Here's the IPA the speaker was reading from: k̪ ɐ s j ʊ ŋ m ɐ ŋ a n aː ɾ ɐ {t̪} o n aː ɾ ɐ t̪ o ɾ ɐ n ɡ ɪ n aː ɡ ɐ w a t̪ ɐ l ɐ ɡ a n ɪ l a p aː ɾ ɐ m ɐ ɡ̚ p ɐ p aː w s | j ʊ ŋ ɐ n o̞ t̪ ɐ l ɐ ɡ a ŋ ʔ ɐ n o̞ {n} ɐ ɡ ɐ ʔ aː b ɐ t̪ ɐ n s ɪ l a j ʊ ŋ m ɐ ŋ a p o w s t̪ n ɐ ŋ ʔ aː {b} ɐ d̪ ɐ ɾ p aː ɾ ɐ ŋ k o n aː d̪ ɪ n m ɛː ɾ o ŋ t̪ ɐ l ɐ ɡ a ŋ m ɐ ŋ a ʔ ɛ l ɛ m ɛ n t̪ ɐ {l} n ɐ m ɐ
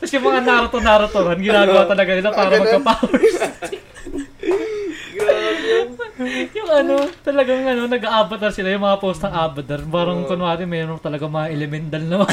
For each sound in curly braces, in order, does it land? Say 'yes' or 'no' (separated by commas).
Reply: yes, yes, yes, yes